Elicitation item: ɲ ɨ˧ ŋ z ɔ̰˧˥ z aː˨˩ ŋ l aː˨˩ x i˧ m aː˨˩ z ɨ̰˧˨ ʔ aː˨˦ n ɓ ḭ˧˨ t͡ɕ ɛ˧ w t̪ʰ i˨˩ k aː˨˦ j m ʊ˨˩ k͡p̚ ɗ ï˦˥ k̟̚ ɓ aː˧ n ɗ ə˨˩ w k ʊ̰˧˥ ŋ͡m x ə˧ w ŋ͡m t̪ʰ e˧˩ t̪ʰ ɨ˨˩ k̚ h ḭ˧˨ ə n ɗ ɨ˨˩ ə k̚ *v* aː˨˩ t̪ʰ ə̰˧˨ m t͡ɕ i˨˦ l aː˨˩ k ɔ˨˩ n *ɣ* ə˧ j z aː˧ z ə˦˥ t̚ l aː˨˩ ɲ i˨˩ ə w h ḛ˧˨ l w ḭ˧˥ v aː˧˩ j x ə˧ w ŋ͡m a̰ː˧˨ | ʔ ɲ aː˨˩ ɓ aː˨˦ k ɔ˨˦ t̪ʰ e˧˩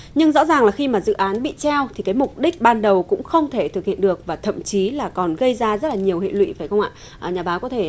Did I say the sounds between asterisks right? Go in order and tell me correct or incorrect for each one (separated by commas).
correct, correct